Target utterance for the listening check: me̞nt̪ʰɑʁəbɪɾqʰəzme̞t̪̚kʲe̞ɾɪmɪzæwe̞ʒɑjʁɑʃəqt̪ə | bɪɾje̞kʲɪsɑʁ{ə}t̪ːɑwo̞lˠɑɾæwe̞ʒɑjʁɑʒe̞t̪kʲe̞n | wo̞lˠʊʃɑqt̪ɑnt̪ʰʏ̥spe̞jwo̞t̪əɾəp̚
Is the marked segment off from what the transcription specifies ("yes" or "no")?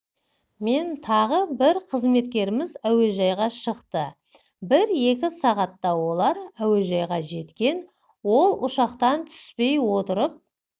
yes